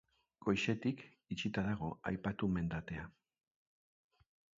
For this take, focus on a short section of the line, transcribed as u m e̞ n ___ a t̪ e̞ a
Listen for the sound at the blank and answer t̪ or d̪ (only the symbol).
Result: d̪